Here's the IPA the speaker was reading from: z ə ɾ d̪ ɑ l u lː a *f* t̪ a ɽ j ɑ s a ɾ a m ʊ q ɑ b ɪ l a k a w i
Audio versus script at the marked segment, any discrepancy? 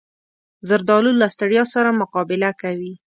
yes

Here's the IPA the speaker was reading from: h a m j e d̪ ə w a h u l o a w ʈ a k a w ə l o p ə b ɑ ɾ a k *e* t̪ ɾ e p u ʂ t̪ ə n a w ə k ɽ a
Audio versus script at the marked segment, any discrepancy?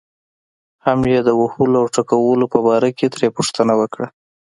no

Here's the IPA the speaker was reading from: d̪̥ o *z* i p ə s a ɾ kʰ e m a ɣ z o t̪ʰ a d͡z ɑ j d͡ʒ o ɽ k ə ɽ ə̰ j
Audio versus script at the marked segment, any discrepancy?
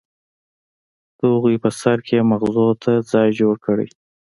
yes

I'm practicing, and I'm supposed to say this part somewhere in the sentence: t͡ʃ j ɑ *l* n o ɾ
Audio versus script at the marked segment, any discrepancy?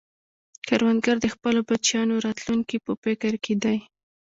yes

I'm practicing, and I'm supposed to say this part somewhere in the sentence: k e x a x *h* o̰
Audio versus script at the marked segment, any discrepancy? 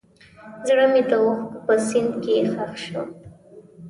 yes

